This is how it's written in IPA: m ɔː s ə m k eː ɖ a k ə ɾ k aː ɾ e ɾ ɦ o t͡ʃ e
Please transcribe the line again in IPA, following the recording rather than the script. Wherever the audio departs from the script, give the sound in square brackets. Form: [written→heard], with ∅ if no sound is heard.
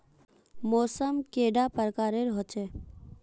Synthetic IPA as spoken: m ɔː s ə m k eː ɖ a [k→p] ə ɾ k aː ɾ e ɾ ɦ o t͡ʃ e